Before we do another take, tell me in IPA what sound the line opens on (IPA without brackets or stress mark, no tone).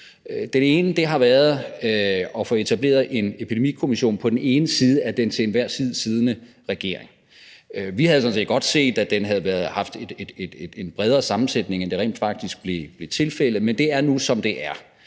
d̥